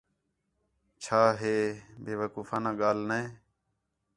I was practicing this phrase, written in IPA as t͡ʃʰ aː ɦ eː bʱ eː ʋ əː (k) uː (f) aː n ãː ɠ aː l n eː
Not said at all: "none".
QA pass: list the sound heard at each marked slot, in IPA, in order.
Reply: k, f

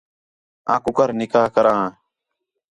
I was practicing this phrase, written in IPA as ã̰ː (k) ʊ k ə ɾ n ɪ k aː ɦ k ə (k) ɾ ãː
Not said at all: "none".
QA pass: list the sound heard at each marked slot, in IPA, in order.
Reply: k, none

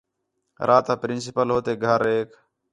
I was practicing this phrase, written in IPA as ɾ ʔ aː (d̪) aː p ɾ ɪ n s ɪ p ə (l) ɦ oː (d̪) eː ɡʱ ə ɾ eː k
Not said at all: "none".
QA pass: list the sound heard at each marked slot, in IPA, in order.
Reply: t̪, l, t̪

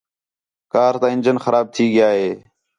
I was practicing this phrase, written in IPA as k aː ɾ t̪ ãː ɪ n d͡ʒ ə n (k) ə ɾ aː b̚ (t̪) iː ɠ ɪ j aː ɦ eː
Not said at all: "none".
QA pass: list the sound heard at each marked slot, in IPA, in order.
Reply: x, t̪ʰ

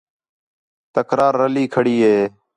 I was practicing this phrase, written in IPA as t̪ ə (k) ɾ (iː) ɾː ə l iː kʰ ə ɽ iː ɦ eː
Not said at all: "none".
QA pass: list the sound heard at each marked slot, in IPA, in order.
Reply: k, aː

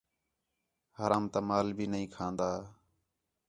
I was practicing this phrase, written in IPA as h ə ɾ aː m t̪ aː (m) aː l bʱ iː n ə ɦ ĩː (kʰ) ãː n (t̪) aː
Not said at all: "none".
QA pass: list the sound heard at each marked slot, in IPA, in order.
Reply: m, kʰ, d̪

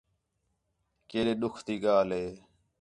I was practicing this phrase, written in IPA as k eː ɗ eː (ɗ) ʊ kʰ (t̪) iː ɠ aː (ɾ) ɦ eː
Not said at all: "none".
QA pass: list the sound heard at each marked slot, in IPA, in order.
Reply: ɗ, t̪, l

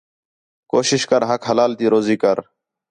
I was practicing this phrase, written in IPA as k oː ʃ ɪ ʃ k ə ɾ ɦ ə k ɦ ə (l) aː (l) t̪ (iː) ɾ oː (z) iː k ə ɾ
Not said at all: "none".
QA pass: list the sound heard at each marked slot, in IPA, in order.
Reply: l, l, iː, z

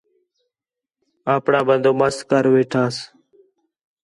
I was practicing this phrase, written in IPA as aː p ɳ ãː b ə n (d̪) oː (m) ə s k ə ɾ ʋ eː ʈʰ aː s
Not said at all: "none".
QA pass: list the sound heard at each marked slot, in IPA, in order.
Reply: d̪, m

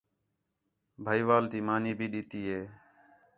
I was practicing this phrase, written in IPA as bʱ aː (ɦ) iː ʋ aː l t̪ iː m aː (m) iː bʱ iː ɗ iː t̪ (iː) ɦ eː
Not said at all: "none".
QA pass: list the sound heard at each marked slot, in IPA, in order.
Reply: none, n, iː

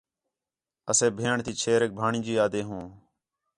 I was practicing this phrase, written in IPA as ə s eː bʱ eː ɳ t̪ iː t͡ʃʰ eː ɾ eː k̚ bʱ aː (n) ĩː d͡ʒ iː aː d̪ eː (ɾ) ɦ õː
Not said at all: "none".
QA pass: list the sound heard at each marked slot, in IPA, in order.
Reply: ɳ, none

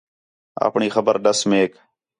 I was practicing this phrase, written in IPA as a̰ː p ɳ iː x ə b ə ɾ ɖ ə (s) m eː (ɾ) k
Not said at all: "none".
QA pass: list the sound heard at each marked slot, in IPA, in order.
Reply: s, none

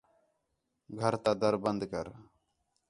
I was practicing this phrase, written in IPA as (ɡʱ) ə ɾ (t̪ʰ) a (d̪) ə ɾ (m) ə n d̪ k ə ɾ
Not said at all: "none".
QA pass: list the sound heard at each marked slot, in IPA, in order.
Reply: ɡʱ, t̪, d̪, b

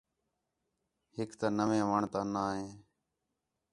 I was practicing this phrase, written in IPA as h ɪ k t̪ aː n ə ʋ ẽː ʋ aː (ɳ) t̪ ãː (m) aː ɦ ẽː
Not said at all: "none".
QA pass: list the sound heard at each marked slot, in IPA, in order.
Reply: ɳ, n

